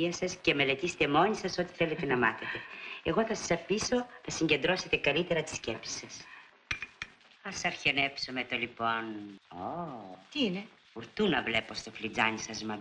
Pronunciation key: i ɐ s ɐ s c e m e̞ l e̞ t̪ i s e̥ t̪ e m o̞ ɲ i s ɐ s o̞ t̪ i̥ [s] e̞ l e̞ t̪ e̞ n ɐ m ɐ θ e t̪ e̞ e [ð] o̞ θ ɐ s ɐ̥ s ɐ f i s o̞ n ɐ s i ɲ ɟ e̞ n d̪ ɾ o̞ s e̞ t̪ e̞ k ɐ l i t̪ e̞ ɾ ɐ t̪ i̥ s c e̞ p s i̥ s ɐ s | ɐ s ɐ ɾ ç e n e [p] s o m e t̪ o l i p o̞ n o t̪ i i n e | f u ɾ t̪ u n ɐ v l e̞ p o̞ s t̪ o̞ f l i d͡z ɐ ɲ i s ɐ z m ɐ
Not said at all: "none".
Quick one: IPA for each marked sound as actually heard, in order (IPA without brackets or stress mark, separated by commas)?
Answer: θ, ɣ, p